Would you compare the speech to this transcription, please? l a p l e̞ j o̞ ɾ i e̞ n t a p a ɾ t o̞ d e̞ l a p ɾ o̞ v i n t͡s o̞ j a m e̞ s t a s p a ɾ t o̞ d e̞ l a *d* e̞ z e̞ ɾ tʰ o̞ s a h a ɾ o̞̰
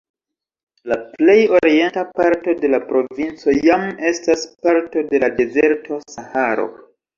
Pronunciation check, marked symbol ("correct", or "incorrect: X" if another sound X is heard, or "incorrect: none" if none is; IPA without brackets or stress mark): correct